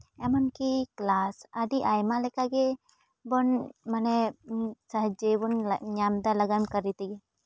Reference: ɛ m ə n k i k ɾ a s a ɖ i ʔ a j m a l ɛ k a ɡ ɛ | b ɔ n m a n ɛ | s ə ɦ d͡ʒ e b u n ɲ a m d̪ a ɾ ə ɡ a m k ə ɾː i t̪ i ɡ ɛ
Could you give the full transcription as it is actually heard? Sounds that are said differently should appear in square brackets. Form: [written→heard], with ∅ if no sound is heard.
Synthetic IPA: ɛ m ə n k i k [ɾ→l] a s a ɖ i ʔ a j m a l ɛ k a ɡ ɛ | b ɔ n m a n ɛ | s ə ɦ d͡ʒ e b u n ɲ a m d̪ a [ɾ→l] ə ɡ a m k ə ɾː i t̪ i ɡ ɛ